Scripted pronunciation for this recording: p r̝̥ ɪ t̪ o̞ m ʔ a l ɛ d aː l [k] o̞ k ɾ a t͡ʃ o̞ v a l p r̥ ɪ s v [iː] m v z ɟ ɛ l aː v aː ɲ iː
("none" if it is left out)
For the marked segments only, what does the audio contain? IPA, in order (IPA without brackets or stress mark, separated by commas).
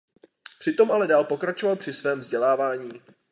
p, ɛː